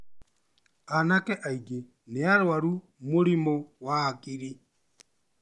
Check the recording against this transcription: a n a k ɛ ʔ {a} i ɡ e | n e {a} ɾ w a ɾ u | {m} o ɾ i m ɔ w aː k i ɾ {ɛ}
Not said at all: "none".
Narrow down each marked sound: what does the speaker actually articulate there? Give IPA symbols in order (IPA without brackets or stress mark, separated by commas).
a, a, m, i